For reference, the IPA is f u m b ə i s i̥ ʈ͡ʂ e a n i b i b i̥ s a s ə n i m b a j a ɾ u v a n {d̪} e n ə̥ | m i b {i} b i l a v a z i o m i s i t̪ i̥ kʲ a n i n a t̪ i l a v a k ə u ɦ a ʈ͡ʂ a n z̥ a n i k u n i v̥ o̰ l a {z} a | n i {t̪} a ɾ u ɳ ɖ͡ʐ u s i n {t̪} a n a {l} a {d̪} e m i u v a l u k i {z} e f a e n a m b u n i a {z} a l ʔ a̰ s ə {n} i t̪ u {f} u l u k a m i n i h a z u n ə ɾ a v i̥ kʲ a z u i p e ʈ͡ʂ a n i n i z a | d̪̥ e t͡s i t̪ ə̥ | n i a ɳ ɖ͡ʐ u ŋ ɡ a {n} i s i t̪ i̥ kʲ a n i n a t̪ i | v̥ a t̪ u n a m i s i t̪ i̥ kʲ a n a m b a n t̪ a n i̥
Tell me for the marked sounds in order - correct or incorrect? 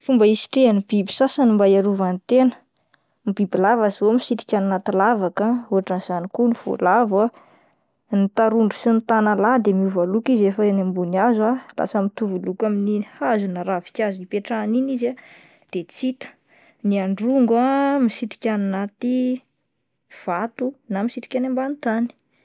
incorrect, correct, incorrect, correct, correct, correct, correct, correct, correct, incorrect, incorrect, incorrect

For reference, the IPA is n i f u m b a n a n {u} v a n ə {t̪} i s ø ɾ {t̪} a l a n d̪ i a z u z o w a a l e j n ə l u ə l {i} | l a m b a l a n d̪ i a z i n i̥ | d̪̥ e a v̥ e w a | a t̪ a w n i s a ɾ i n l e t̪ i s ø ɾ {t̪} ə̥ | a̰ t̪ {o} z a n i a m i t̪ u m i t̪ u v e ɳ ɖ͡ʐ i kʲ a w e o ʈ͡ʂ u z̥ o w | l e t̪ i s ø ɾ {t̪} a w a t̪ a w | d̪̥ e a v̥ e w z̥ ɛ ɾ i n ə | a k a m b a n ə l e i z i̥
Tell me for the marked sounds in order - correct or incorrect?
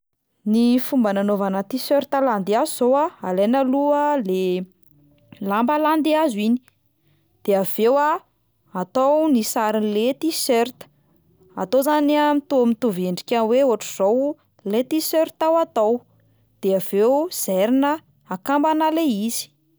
incorrect, correct, correct, incorrect, correct, correct, correct

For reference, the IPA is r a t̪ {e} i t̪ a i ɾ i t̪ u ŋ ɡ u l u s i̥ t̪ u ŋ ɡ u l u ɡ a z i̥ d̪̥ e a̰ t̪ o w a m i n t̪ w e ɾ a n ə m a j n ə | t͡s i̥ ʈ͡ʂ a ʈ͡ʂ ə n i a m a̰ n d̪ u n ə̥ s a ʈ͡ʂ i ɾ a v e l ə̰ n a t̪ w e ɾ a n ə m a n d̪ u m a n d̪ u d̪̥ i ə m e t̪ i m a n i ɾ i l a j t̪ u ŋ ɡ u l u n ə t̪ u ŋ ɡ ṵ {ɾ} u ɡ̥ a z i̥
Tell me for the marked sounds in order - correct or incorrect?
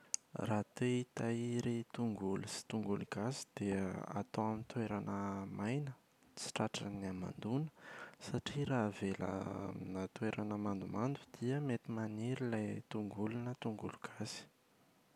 correct, incorrect

